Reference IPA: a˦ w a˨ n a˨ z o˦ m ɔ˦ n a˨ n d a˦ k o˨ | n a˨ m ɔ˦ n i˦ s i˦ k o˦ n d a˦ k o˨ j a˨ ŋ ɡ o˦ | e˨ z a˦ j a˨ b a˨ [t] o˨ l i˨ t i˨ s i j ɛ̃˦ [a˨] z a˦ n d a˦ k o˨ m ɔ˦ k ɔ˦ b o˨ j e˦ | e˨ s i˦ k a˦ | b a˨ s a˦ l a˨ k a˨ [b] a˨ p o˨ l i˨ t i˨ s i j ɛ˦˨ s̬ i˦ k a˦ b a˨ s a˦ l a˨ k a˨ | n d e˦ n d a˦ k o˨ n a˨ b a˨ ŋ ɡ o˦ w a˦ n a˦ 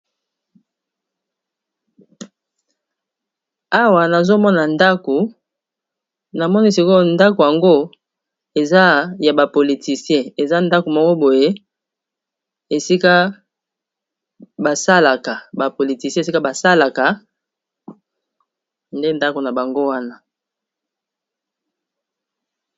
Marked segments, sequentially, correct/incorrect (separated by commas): incorrect, incorrect, correct